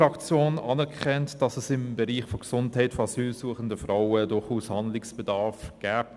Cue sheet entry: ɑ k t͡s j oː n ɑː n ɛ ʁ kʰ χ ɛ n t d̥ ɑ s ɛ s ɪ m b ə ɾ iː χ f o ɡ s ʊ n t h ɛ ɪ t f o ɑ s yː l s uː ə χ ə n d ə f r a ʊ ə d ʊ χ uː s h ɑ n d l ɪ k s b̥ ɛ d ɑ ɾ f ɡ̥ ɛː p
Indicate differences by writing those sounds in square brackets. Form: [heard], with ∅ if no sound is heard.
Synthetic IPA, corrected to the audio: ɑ k t͡s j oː n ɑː n ɛ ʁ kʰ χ ɛ n t d̥ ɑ s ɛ s ɪ m b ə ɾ iː χ f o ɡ s ʊ n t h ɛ ɪ t f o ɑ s yː l s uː ə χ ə n d ə f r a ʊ ə d ʊ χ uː s h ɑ n d l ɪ k s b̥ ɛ d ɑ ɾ f ɡ̥ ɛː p